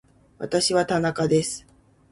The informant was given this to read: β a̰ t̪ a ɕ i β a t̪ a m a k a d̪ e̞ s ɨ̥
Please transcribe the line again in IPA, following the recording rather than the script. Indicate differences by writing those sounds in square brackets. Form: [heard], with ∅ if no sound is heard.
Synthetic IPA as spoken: β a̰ t̪ a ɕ i β a t̪ a [n] a k a d̪ e̞ s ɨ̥